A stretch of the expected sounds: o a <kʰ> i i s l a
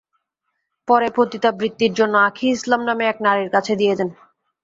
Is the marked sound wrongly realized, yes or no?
no